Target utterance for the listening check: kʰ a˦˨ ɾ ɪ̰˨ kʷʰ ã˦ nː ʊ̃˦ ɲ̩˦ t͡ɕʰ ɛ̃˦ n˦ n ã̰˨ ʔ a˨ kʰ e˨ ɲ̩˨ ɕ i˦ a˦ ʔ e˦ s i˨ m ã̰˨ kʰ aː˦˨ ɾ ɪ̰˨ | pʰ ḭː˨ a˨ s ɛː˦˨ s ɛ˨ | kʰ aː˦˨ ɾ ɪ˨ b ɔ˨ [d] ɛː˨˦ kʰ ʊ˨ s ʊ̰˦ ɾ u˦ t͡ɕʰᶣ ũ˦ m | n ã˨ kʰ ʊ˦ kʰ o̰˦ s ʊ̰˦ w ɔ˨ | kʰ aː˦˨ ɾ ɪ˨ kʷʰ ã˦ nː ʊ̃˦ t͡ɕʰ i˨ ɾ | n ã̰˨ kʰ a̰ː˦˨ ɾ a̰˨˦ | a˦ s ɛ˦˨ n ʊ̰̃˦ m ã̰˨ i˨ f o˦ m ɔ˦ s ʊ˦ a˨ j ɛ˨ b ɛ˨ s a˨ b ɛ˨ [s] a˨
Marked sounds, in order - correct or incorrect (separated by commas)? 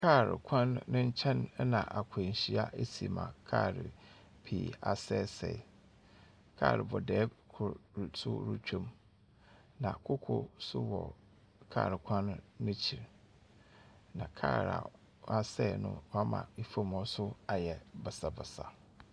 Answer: correct, correct